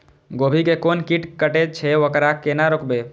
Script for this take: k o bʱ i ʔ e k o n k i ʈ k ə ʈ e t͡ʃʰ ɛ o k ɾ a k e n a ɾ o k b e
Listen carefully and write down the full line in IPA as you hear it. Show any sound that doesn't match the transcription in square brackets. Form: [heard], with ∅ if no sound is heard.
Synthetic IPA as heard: [ɡ] o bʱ i [k] e k o n k i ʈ k ə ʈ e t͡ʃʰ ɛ o k ɾ a k e n a ɾ o k b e